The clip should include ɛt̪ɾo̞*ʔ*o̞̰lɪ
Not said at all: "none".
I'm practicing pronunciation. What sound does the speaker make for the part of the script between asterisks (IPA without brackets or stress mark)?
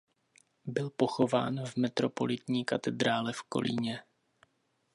p